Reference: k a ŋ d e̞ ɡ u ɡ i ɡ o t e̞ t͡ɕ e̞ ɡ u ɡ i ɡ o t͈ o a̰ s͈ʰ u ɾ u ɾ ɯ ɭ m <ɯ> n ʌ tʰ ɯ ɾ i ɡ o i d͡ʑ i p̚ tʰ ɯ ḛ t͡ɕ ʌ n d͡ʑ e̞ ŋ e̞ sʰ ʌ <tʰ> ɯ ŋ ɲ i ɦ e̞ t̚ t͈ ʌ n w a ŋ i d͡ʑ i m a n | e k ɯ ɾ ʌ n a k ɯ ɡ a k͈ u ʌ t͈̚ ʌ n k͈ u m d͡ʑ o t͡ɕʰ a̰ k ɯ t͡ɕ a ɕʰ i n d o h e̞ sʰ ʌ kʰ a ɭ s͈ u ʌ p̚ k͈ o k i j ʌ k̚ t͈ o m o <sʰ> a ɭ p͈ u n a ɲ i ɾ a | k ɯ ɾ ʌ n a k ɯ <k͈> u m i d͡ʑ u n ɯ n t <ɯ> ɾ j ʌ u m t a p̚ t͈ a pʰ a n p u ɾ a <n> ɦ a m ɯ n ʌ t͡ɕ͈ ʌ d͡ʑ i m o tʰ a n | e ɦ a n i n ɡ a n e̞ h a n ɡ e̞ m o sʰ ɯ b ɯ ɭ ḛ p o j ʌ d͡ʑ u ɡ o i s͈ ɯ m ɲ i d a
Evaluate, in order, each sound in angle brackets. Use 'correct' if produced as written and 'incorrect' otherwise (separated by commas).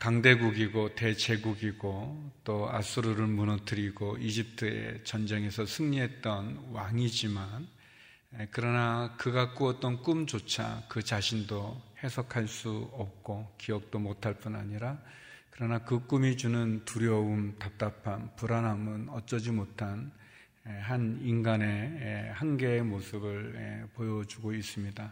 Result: incorrect, incorrect, incorrect, correct, incorrect, correct